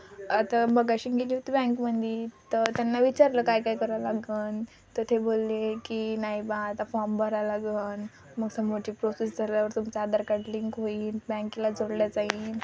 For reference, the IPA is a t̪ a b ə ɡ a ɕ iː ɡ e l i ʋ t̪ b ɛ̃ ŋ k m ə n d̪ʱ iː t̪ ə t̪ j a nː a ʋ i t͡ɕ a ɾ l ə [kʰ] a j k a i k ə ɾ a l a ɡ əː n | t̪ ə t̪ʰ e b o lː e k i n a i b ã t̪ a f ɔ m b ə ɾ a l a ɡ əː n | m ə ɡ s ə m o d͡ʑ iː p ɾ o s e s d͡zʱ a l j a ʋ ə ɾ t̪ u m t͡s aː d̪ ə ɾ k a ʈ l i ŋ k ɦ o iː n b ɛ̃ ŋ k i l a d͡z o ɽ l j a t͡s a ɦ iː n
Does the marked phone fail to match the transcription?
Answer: yes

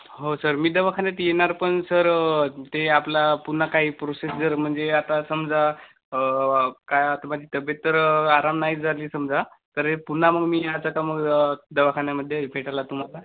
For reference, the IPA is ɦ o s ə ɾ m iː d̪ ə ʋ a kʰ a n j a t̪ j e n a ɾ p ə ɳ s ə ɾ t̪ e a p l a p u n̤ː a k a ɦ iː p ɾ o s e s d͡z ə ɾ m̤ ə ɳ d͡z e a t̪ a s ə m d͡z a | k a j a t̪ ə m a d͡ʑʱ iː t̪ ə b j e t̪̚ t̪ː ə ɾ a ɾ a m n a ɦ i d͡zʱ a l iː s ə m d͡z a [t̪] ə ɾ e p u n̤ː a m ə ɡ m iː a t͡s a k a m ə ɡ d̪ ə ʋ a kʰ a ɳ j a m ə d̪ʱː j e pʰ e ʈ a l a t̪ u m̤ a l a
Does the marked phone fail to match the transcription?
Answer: no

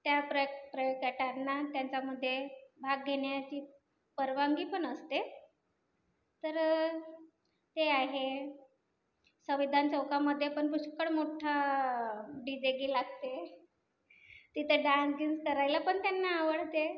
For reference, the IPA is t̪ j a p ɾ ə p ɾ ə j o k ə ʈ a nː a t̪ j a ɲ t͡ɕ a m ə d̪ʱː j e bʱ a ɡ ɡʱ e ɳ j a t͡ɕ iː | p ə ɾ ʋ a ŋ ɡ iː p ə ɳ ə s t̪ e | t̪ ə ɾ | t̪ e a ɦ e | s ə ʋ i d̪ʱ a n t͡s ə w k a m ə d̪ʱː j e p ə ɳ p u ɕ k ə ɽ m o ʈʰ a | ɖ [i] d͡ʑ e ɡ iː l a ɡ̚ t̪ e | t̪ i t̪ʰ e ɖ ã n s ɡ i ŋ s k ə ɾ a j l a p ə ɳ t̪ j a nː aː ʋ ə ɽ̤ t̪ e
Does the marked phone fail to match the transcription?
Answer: no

